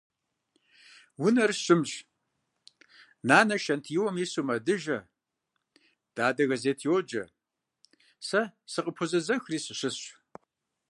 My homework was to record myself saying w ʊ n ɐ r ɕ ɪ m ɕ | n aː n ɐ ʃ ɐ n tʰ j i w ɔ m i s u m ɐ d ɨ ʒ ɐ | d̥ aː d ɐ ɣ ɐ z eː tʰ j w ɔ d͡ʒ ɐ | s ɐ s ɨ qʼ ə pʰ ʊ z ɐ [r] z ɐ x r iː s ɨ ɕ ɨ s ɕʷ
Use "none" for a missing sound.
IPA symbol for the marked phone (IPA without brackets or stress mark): none